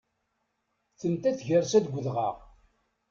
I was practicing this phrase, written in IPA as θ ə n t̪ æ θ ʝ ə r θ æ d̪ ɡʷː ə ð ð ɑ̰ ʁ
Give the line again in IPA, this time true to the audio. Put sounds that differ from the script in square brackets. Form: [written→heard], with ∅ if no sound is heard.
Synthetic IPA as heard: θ ə n t̪ æ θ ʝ ə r [θ→s] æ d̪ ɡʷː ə ð [ð→ʁ] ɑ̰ ʁ